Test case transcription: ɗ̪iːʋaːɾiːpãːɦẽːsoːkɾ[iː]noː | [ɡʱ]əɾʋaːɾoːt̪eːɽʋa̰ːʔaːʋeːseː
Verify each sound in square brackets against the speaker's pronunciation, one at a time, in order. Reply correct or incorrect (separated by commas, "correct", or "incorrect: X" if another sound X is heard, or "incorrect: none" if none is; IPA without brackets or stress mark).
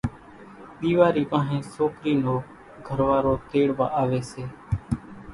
correct, correct